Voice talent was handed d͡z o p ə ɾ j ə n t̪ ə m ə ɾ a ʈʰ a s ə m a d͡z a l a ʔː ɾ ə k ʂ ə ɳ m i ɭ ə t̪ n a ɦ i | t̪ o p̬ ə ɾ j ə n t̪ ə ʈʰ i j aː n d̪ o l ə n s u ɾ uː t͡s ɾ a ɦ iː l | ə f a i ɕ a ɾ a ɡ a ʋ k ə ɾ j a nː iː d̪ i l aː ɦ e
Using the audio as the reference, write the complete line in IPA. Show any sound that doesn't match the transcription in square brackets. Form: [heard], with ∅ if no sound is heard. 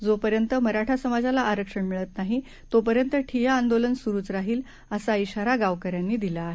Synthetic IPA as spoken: d͡z o p ə ɾ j ə n t̪ ə m ə ɾ a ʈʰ a s ə m a d͡z a l a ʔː ɾ ə k ʂ ə ɳ m i ɭ ə t̪ n a ɦ i | t̪ o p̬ ə ɾ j ə n t̪ ə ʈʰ i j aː n d̪ o l ə n s u ɾ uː t͡s ɾ a ɦ iː l | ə [s] a i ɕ a ɾ a ɡ a ʋ k ə ɾ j a nː iː d̪ i l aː ɦ e